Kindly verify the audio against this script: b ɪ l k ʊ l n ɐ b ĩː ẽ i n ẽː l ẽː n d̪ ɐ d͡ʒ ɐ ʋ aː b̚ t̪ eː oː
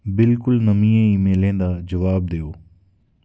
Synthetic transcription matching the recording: b ɪ l k ʊ l n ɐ m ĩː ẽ i m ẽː l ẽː n d̪ a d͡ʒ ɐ ʋ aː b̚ d̪ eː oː